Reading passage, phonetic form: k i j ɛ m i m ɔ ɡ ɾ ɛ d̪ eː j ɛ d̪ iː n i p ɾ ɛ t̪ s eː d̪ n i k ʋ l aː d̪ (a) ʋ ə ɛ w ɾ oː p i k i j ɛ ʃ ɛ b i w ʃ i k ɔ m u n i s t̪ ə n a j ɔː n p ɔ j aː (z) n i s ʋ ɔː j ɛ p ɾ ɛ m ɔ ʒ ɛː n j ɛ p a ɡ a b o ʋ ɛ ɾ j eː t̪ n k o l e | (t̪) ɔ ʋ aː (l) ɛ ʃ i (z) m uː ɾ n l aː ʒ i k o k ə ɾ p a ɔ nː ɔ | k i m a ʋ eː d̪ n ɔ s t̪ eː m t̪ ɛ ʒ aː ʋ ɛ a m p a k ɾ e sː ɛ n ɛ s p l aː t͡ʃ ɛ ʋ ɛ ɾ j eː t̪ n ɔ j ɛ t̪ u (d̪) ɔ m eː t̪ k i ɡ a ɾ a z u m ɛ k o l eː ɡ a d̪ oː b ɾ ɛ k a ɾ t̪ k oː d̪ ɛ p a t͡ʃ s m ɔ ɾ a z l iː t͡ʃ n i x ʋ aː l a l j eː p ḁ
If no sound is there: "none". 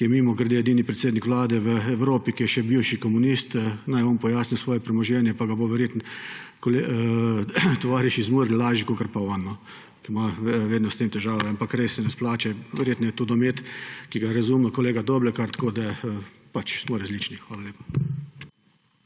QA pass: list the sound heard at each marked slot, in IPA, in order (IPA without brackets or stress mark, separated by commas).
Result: ɛ, s, t̪, ɾ, z, d̪